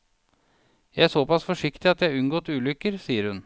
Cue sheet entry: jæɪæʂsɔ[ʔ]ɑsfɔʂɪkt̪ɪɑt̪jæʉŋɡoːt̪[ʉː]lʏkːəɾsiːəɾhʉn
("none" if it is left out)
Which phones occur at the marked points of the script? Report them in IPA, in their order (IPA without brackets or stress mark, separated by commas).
p, ʉː